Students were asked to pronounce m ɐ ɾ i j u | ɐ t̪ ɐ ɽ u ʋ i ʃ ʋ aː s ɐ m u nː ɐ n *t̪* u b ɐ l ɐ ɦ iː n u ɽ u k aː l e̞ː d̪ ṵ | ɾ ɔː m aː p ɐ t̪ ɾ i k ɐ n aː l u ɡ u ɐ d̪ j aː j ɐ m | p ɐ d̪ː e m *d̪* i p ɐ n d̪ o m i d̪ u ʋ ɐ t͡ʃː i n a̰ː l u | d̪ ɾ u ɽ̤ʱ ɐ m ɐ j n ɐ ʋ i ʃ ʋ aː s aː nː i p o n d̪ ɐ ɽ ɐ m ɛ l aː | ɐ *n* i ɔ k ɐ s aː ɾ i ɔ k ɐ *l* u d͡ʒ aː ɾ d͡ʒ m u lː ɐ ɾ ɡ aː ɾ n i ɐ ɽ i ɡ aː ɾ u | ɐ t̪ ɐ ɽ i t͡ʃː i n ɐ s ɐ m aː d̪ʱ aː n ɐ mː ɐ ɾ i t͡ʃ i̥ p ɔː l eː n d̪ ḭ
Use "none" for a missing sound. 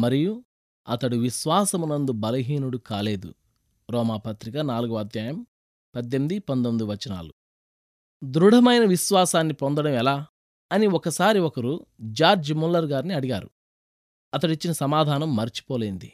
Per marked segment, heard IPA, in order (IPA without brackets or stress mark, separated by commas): d̪, d̪, n, ɾ